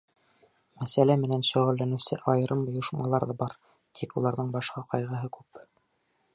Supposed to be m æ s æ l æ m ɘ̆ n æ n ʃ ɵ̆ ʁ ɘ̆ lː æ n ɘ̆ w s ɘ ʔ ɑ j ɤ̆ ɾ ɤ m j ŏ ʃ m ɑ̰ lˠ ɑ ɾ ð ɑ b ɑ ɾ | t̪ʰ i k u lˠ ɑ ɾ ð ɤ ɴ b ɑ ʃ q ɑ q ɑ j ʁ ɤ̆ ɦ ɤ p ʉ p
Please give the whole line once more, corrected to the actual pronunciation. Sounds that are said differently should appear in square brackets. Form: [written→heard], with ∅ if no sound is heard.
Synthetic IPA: m æ s æ l æ m ɘ̆ n æ n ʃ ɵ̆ ʁ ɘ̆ lː æ n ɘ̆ w s ɘ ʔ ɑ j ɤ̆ ɾ ɤ m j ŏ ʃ m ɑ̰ lˠ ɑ ɾ ð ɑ b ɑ ɾ | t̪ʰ i k u lˠ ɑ ɾ ð ɤ ɴ b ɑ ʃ q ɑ q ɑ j ʁ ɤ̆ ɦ ɤ [p→k] ʉ p